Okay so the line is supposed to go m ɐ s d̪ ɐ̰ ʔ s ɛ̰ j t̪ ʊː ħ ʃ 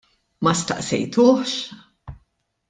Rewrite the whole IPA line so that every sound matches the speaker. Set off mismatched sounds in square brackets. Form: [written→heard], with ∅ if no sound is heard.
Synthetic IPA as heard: m ɐ s [d̪→t̪] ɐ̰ ʔ s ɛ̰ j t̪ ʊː ħ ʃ

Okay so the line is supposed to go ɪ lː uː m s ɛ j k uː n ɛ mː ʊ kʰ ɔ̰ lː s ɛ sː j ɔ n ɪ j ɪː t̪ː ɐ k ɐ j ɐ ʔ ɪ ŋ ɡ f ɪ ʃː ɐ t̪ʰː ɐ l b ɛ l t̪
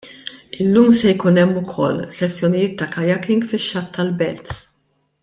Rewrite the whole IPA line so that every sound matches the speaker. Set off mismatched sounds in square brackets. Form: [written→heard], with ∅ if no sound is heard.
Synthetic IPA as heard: ɪ lː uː m s ɛ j k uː n ɛ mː ʊ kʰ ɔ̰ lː s ɛ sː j ɔ n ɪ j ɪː t̪ː ɐ k ɐ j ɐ [ʔ→k] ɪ ŋ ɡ f ɪ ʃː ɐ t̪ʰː ɐ l b ɛ l t̪

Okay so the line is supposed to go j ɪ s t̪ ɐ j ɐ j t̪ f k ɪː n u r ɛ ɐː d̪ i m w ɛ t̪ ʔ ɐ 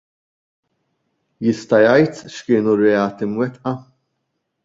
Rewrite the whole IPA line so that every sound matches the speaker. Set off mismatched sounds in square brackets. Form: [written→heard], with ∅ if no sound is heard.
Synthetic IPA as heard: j ɪ s t̪ ɐ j ɐ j t̪ [f→ʃ] k ɪː n u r ɛ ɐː [d̪→t̪] i m w ɛ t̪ ʔ ɐ

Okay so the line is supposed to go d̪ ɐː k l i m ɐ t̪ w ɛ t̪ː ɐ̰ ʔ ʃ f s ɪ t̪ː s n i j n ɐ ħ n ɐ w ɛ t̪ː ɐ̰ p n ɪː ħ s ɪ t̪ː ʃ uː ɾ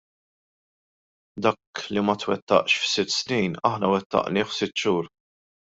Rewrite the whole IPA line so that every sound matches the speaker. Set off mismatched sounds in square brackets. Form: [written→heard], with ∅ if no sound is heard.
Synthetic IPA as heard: d̪ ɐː k l i m ɐ t̪ w ɛ t̪ː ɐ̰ ʔ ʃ f s ɪ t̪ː s n i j n ɐ ħ n ɐ w ɛ t̪ː ɐ̰ [p→ʔ] n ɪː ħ s ɪ t̪ː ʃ uː ɾ

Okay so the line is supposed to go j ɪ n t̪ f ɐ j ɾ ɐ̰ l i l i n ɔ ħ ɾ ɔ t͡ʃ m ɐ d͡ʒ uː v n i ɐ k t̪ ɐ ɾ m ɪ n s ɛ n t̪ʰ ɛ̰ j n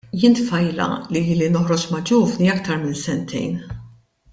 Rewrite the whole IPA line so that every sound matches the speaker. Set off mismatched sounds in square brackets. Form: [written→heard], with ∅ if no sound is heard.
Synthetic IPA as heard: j ɪ n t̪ f ɐ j [ɾ→l] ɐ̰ l i l i n ɔ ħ ɾ ɔ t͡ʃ m ɐ d͡ʒ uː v n i ɐ k t̪ ɐ ɾ m ɪ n s ɛ n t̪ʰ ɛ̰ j n

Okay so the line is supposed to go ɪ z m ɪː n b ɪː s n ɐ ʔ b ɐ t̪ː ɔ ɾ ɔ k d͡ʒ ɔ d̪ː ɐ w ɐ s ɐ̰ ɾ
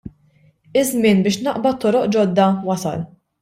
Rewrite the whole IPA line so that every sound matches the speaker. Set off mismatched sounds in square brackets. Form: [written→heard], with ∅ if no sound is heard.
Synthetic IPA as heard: ɪ z m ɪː n b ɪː [s→ʃ] n ɐ ʔ b ɐ t̪ː ɔ ɾ ɔ [k→ʔ] d͡ʒ ɔ d̪ː ɐ w ɐ s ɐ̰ [ɾ→l]

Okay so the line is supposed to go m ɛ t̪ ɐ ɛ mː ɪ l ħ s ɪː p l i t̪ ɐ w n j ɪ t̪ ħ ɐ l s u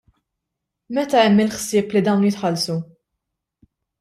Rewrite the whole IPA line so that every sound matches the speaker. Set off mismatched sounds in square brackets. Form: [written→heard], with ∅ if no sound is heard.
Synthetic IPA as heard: m ɛ t̪ ɐ ɛ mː ɪ l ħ s ɪː p l i [t̪→d̪] ɐ w n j ɪ t̪ ħ ɐ l s u

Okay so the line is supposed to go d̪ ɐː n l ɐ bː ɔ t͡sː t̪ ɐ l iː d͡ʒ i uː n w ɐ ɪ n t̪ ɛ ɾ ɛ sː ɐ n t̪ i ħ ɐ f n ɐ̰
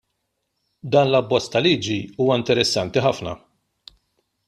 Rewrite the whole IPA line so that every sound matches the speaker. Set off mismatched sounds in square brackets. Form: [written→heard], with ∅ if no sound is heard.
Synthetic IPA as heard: d̪ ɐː n l ɐ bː ɔ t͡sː t̪ ɐ l iː d͡ʒ i uː [n→∅] w ɐ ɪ n t̪ ɛ ɾ ɛ sː ɐ n t̪ i ħ ɐ f n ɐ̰

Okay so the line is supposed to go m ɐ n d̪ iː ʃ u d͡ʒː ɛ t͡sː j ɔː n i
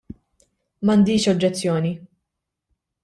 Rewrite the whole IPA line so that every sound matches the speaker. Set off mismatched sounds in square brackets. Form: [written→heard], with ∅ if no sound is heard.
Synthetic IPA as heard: m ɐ n d̪ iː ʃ [u→ɔ] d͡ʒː ɛ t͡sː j ɔː n i

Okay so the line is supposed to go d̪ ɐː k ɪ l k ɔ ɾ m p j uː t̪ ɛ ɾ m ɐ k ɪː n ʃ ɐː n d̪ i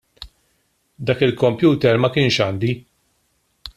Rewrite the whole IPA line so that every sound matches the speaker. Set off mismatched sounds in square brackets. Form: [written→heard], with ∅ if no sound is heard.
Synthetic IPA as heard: d̪ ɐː k ɪ l k ɔ [ɾ→∅] m p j uː t̪ ɛ ɾ m ɐ k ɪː n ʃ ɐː n d̪ i

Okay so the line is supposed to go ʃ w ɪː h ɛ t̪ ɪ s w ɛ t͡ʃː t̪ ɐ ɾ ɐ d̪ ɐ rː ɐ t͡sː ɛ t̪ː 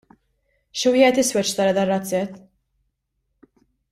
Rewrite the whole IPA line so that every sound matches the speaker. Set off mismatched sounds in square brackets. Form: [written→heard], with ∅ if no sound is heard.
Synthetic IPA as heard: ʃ w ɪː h ɛ t̪ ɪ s w ɛ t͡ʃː t̪ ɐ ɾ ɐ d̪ ɐ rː ɐ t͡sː ɛ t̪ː

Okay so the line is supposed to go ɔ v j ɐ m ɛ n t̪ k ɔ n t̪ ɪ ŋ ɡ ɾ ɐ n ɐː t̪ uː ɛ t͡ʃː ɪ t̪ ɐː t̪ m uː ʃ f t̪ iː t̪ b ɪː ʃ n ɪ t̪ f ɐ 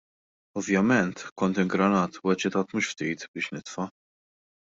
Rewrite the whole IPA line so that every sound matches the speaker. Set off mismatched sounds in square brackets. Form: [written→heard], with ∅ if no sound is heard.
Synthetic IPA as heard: ɔ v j ɐ m ɛ n t̪ k ɔ n t̪ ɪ ŋ ɡ ɾ ɐ n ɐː t̪ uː ɛ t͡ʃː ɪ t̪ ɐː t̪ m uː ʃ f t̪ iː t̪ b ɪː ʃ n ɪ t̪ f ɐ

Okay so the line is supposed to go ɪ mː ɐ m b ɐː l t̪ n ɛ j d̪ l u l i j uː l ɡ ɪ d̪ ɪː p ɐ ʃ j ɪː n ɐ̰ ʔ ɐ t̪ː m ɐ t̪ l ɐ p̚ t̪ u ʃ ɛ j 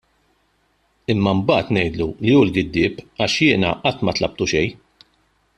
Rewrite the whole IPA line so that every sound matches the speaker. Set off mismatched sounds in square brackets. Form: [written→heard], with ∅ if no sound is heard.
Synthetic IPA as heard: ɪ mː ɐ m b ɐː [l→∅] t̪ n ɛ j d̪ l u l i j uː l ɡ ɪ [d̪→d̪ː] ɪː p ɐ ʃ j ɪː n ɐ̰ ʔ ɐ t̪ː m ɐ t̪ l ɐ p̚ t̪ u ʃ ɛ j

